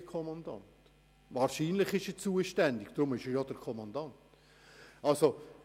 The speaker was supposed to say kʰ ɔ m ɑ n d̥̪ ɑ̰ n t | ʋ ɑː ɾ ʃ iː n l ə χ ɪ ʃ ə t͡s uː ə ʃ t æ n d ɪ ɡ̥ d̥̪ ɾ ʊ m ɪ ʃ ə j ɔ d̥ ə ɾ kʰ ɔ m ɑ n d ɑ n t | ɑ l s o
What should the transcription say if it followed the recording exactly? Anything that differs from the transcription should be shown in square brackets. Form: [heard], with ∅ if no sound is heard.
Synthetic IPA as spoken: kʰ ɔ m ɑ n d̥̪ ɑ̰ n t | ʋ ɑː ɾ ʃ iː n l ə χ ɪ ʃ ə t͡s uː ə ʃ t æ n d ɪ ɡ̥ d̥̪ ɾ ʊ m ɪ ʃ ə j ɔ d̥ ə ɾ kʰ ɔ m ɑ n d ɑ n t | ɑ l s o

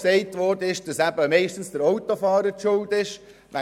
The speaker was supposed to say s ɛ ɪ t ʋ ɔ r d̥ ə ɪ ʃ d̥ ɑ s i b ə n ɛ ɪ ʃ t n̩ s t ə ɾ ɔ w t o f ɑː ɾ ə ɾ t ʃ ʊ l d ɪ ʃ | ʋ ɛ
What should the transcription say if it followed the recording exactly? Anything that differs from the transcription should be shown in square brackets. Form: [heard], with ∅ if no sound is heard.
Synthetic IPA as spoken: s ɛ ɪ t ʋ ɔ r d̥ ə ɪ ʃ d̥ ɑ s [æ] b ə [m] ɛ ɪ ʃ t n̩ s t ə ɾ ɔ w t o f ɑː ɾ ə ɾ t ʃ ʊ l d ɪ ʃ | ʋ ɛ

